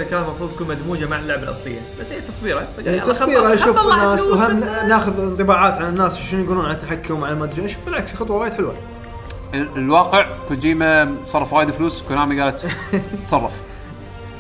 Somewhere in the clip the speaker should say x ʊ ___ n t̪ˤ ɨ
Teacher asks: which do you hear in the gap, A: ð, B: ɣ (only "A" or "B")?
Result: A